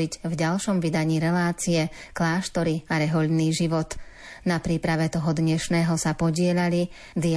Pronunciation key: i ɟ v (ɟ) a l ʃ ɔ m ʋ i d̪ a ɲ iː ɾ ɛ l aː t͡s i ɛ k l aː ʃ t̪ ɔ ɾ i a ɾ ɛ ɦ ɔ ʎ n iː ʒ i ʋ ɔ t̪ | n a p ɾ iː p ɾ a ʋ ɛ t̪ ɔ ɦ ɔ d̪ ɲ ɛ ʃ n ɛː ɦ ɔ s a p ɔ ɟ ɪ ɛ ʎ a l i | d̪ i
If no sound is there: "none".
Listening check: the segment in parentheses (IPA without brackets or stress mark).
ɟ